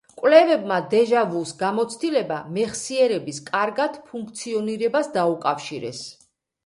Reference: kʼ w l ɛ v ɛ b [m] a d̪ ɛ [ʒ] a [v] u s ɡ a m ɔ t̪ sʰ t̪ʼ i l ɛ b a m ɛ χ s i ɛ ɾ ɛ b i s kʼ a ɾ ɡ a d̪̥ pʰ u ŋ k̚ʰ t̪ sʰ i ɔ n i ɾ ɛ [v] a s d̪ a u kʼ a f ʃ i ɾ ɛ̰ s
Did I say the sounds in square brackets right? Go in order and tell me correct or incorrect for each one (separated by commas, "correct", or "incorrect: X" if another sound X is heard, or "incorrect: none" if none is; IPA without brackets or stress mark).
correct, correct, correct, incorrect: b